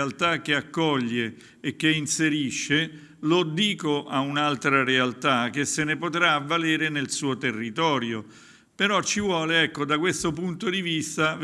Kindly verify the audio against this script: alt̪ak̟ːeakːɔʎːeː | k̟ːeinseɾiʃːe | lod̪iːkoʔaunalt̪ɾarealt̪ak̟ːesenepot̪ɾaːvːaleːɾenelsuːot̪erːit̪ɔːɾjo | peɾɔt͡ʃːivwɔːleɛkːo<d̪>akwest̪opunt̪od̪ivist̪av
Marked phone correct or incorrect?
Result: correct